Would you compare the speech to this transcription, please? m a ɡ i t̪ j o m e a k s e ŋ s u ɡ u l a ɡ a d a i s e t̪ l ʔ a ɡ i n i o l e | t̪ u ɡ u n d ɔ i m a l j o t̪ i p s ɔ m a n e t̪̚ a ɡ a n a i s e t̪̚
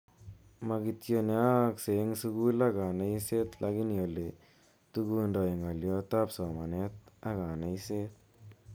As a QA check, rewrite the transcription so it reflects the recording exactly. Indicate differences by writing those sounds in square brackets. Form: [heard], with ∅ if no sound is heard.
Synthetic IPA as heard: m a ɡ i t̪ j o [n] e a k s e ŋ s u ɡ u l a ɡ a [n] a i s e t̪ l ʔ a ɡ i n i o l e | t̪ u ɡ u n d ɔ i [ŋ] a l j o t̪ [a] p s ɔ m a n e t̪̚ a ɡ a n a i s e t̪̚